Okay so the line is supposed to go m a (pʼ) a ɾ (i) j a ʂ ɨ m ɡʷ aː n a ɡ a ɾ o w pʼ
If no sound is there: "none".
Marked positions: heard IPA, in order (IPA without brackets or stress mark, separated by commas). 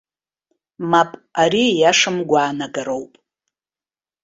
pʼ, i